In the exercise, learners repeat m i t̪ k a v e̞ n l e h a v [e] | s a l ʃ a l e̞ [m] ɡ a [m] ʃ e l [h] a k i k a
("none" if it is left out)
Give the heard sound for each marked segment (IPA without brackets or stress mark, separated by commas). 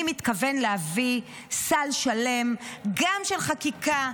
i, m, m, χ